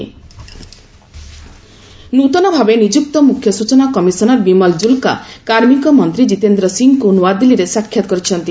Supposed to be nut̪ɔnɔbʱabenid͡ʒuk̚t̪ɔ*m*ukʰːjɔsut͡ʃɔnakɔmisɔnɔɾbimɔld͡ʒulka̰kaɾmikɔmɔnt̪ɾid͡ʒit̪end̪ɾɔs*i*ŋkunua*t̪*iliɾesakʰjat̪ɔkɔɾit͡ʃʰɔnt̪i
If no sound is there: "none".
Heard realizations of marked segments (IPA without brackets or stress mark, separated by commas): m, i, d̪